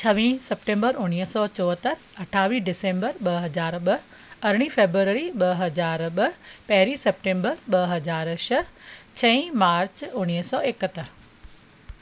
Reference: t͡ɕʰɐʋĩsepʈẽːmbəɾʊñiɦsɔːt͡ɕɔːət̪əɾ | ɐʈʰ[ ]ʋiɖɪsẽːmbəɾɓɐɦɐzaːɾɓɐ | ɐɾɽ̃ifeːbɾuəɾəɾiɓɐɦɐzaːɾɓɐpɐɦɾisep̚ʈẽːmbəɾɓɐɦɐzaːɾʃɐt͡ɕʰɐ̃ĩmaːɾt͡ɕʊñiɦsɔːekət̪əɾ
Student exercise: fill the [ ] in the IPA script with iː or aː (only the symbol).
aː